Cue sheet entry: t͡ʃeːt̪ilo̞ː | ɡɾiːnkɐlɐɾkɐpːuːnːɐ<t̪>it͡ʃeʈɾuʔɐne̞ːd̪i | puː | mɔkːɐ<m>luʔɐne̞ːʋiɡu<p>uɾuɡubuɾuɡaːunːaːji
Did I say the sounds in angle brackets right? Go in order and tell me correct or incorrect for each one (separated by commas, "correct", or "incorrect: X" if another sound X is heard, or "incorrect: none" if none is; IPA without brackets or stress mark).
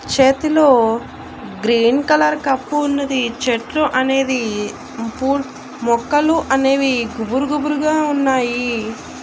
incorrect: d̪, incorrect: none, incorrect: b